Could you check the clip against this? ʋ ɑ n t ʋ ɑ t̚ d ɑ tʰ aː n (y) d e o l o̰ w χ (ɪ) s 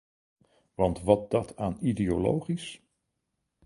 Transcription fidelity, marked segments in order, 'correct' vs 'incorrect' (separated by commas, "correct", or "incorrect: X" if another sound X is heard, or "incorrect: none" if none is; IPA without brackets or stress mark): incorrect: i, incorrect: i